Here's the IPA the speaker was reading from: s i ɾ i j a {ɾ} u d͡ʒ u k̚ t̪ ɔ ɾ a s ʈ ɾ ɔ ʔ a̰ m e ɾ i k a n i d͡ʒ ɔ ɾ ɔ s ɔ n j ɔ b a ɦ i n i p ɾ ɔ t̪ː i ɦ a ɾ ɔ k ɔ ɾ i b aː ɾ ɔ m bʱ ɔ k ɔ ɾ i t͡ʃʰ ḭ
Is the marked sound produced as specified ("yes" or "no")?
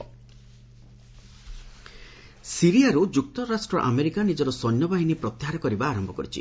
yes